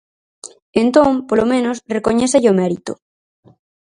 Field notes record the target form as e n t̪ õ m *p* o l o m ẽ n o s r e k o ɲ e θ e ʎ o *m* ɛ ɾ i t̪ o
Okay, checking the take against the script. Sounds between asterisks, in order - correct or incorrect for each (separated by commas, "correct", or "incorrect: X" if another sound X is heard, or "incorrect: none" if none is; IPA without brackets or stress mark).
correct, correct